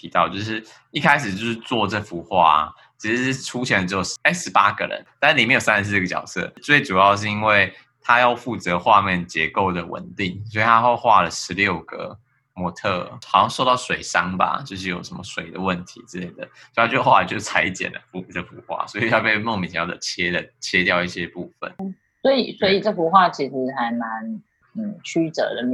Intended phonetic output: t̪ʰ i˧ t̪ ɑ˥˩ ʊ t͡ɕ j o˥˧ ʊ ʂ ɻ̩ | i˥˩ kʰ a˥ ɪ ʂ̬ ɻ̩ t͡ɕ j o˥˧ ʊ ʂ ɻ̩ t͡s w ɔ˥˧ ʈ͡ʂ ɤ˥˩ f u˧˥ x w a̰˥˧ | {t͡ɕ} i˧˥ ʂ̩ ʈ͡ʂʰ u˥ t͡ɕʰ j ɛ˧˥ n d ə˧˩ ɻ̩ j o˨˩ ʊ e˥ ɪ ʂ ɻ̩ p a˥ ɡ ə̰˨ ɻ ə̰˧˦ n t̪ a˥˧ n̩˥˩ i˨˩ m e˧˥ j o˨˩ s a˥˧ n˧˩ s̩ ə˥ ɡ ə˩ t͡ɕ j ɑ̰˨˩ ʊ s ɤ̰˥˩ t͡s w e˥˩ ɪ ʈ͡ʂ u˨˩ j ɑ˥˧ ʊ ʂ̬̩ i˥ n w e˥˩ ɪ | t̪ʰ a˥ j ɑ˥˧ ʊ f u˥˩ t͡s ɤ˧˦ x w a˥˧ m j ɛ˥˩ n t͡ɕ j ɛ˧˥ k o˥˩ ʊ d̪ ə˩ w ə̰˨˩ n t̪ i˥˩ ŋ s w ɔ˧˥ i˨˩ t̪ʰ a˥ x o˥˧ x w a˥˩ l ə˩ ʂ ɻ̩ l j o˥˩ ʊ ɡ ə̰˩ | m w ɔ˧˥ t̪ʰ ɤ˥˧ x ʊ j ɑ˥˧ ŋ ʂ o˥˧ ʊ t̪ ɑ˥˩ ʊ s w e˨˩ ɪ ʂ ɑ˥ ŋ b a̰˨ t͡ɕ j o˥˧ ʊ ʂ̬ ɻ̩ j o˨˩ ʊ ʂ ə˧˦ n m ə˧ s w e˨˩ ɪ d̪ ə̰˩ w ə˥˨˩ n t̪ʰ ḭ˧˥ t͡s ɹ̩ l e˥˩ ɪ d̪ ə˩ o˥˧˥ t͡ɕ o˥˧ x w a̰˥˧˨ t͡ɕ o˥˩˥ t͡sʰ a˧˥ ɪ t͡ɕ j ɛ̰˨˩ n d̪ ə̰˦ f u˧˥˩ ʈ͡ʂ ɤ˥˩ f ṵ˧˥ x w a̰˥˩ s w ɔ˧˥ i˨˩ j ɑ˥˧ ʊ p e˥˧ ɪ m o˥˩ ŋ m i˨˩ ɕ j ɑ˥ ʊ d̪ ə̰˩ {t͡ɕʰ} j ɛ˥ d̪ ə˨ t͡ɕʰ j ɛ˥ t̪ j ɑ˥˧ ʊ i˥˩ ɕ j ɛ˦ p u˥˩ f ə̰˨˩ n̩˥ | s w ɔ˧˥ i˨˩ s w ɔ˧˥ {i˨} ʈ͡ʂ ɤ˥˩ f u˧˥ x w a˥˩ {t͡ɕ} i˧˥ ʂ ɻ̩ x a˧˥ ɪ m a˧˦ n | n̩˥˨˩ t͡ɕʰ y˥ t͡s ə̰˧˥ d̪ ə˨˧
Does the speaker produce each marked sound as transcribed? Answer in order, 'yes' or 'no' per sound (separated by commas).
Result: no, yes, yes, no